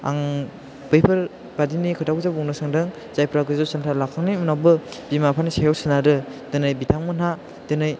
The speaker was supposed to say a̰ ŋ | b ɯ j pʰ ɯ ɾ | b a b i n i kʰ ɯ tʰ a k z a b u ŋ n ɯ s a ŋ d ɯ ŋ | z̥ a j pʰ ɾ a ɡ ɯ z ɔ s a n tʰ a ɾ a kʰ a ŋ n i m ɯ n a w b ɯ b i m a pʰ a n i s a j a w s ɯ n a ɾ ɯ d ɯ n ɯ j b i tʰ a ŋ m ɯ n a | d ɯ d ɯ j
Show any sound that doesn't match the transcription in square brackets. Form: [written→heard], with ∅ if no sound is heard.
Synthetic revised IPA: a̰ ŋ | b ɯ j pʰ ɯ ɾ | b a [b→d] i n i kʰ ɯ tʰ a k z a b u ŋ n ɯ s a ŋ d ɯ ŋ | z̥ a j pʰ ɾ a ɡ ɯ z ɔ s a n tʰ a [ɾ→l] a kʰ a ŋ n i m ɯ n a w b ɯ b i m a pʰ a n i s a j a w s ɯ n a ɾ ɯ d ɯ n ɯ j b i tʰ a ŋ m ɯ n a | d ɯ [d→n] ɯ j